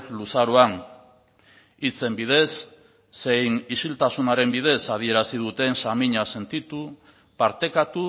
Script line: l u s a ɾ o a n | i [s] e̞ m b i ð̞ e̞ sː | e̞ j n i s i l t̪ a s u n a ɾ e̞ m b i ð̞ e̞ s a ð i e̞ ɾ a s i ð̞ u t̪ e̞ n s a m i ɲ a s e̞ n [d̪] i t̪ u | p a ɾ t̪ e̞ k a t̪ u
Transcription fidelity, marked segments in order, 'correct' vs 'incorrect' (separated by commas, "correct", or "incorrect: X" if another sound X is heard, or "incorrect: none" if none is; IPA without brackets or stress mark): incorrect: t͡s, incorrect: t̪